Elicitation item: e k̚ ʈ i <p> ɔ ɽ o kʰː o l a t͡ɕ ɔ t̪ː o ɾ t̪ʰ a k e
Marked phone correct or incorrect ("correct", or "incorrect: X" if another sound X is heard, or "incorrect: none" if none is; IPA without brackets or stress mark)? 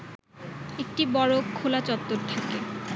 incorrect: b